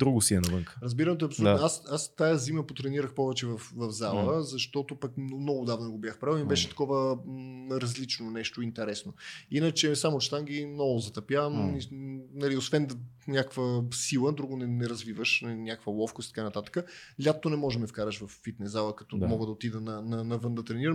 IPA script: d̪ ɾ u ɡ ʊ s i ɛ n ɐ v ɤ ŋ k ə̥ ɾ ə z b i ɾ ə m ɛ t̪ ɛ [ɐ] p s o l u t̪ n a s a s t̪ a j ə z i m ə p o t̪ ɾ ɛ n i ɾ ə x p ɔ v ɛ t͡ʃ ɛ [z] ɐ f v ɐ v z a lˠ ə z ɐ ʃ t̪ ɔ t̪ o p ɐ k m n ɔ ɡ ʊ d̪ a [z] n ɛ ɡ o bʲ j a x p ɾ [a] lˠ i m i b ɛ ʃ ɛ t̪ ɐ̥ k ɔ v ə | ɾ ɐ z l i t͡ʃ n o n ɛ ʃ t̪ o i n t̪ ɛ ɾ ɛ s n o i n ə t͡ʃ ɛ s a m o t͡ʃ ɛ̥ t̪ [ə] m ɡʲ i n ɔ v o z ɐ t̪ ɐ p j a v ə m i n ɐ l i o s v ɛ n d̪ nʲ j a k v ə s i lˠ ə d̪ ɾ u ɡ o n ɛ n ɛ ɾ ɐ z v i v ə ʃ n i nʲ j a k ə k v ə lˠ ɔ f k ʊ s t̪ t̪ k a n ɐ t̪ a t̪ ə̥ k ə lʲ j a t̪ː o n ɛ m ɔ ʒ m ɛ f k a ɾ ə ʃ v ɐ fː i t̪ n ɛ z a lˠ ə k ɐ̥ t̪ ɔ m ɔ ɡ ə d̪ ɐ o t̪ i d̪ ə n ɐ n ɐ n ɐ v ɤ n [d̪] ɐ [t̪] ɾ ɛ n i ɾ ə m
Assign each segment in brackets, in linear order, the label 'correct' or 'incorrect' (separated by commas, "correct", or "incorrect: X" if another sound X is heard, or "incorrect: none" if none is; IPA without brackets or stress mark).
correct, incorrect: v, incorrect: v, correct, incorrect: a, correct, correct